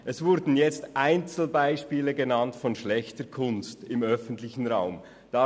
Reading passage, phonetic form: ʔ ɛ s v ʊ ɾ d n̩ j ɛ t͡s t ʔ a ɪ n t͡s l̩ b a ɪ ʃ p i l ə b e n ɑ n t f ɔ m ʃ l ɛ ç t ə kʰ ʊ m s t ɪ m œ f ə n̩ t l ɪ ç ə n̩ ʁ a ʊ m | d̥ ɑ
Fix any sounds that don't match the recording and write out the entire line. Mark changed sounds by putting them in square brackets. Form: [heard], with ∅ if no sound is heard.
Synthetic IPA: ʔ ɛ s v ʊ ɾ d n̩ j ɛ t͡s t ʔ a ɪ n t͡s l̩ b a ɪ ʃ p [iː] l ə [ɡ] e n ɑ n t f ɔ [n] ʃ l ɛ ç t ə kʰ ʊ [n] s t ɪ m œ f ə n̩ t l ɪ ç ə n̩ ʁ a ʊ m | d̥ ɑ